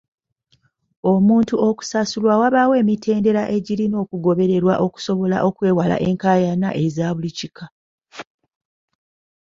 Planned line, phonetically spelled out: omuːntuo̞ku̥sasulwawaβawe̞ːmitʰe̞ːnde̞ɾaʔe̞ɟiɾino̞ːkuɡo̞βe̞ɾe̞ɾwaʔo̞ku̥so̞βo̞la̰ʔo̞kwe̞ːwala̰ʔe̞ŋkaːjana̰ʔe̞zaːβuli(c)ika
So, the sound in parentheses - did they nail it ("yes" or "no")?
yes